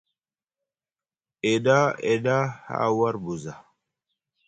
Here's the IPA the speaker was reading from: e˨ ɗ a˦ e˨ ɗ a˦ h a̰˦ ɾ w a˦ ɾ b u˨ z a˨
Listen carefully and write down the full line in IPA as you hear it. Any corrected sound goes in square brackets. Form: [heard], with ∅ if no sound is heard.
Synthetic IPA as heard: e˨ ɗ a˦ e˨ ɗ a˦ h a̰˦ [∅] w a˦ ɾ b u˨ z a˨